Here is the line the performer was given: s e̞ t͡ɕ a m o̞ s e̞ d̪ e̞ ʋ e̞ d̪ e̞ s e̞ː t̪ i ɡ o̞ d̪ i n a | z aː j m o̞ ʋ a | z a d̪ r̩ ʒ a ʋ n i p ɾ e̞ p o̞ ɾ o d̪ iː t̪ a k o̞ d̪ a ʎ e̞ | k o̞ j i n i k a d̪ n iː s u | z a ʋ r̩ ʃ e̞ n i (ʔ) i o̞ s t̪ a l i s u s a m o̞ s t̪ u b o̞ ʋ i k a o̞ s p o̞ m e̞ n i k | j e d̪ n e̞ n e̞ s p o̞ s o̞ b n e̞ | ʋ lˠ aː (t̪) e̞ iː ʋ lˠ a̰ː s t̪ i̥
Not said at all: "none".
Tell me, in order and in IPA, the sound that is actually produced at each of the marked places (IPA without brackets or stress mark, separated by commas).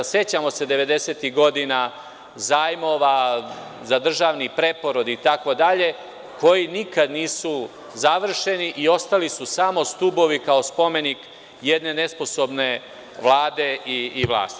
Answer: ʔ, d̪